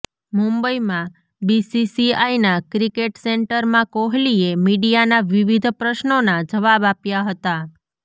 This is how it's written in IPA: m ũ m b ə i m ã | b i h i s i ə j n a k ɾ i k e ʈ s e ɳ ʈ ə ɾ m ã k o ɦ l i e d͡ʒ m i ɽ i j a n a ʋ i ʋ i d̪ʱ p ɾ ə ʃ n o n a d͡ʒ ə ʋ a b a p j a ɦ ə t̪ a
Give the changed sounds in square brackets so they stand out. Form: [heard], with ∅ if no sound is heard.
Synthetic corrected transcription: m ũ m b ə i m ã | b i [s] i s i [a] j n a k ɾ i k e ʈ s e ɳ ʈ ə ɾ m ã k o ɦ l i e [∅] m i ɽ i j a n a ʋ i ʋ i d̪ʱ p ɾ ə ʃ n o n a d͡ʒ ə ʋ a b a p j a ɦ ə t̪ a